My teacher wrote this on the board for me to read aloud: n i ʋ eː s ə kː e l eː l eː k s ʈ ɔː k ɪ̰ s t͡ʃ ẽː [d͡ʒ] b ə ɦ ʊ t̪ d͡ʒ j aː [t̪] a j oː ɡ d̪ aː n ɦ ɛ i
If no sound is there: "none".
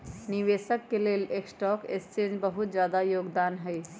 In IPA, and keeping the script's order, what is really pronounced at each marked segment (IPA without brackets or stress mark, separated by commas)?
d͡ʒ, d̪